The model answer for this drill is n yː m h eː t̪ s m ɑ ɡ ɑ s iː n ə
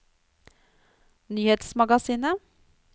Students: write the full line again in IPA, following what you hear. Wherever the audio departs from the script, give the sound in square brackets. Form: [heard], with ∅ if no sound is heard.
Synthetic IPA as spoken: n yː [∅] h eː t̪ s m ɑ ɡ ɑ s iː n ə